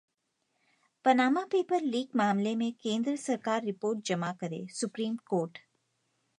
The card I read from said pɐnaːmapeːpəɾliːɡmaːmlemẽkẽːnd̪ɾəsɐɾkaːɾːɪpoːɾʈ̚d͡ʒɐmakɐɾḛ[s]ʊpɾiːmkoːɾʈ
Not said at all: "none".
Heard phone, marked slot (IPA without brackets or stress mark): s